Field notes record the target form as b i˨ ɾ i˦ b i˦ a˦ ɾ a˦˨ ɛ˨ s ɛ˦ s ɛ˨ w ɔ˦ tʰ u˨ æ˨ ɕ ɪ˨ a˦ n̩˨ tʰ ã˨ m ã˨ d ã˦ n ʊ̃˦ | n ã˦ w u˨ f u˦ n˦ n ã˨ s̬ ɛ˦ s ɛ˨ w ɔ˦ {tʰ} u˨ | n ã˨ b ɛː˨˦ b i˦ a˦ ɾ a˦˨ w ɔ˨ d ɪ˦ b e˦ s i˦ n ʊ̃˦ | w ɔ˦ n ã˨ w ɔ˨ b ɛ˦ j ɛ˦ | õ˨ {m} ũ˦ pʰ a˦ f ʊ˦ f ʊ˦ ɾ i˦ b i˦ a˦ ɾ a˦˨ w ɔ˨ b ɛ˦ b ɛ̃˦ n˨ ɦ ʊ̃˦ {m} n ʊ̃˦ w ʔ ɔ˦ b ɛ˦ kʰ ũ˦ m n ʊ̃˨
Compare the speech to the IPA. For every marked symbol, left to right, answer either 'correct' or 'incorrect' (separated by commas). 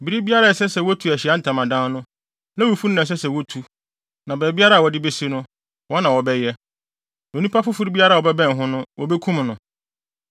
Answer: correct, incorrect, incorrect